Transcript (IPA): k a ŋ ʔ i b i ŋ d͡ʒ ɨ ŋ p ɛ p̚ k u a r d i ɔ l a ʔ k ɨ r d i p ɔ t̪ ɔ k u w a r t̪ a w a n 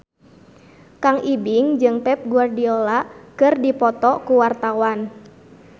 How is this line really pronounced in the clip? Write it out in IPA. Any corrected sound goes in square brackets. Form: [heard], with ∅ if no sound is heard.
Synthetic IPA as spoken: k a ŋ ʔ i b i ŋ d͡ʒ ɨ ŋ p ɛ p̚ [ɡ] u a r d i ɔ l a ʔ k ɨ r d i p ɔ t̪ ɔ k u w a r t̪ a w a n

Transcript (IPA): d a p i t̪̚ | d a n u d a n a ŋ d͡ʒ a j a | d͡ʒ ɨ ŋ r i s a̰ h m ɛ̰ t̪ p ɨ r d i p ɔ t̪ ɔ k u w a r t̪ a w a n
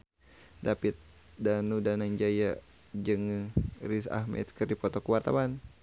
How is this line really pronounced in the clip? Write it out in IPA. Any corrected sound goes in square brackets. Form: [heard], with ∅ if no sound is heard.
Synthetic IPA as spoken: d a p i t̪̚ | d a n u d a n a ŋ d͡ʒ a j a | d͡ʒ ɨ ŋ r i s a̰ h m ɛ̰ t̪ [k] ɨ r d i p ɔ t̪ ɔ k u w a r t̪ a w a n

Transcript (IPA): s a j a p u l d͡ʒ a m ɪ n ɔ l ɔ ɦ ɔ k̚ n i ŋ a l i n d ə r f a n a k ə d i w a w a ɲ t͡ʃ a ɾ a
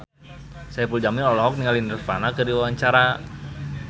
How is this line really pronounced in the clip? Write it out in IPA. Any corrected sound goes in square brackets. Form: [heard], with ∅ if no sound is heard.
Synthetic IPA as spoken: s a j a p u l d͡ʒ a m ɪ n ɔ l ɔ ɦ ɔ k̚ n i ŋ a l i n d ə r f a n a k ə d i w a w a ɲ t͡ʃ a ɾ a

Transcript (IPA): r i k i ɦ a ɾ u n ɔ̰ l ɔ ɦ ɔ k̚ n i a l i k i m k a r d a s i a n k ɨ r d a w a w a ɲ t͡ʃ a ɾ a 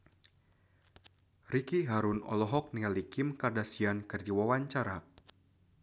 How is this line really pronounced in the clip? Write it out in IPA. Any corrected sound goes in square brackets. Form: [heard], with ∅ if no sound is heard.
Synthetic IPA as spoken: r i k i ɦ a ɾ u n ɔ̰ l ɔ ɦ ɔ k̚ n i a l i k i m k a r d a s i a n k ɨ r [d͡ʒ] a w a w a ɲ t͡ʃ a ɾ a

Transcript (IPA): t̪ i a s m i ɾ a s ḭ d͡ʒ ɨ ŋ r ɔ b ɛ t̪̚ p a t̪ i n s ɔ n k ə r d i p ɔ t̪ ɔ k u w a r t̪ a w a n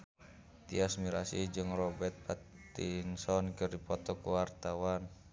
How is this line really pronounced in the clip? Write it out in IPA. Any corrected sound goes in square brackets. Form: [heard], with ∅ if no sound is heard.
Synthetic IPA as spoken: t̪ i a s m i ɾ a s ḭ d͡ʒ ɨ ŋ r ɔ b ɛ t̪̚ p a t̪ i n s ɔ n k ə r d i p ɔ t̪ ɔ k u w a r t̪ a w a n

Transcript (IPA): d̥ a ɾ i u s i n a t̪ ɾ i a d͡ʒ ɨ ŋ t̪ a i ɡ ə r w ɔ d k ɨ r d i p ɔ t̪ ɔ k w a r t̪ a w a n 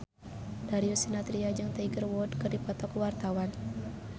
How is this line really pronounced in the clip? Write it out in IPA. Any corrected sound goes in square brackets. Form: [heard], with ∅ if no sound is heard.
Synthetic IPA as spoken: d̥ a ɾ i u s i n a t̪ ɾ i a d͡ʒ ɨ ŋ t̪ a i ɡ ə r w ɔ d k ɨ r d i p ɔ t̪ ɔ k w a r t̪ a w a n

